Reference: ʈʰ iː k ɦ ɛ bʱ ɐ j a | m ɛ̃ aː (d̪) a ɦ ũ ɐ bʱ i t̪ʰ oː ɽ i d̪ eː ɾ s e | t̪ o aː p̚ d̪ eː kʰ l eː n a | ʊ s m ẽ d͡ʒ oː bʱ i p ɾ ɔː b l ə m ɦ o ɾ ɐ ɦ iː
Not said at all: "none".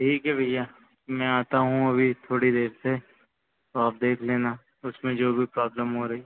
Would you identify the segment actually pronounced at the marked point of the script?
t̪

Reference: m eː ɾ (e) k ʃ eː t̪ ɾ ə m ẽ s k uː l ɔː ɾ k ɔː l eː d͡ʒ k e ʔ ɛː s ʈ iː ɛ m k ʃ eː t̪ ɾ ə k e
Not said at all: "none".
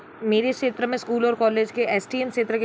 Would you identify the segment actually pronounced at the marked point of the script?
e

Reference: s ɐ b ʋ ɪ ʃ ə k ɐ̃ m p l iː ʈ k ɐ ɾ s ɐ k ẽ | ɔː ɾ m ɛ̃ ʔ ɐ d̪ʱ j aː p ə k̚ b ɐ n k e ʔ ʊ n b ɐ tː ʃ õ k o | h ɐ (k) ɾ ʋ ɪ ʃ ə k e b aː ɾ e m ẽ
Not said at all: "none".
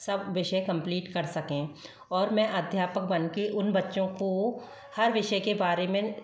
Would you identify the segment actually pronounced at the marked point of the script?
none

